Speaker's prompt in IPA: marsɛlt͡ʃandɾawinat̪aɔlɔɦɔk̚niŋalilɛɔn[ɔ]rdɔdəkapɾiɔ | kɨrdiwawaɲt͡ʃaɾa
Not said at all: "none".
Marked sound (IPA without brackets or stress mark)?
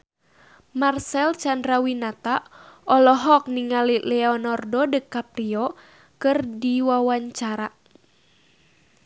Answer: ɔ